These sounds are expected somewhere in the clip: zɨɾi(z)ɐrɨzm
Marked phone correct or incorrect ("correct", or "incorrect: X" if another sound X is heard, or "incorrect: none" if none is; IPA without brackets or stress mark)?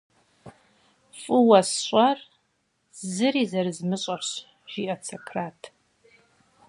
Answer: correct